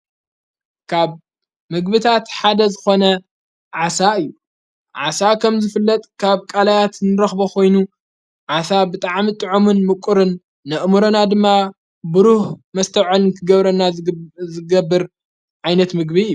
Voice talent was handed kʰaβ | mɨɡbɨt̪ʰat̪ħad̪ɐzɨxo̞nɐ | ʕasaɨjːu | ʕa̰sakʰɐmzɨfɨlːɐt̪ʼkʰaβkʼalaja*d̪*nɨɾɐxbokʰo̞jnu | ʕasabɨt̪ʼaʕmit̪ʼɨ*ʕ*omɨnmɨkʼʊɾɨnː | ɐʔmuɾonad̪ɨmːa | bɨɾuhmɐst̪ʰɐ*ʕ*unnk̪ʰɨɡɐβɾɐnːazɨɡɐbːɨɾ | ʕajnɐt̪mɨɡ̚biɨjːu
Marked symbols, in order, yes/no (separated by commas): no, yes, yes